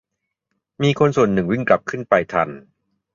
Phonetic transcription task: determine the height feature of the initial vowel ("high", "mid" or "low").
high